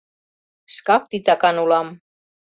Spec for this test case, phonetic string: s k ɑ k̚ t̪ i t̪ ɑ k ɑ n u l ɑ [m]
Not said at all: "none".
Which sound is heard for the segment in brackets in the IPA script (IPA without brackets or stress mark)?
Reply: m